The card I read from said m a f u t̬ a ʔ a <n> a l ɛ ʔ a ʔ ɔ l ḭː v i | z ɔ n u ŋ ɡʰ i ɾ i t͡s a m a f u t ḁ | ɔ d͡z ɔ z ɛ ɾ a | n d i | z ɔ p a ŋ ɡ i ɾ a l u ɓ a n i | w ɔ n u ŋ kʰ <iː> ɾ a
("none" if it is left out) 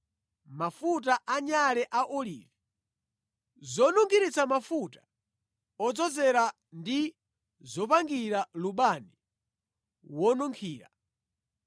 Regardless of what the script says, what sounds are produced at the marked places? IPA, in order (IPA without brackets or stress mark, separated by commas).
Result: ɲ, iː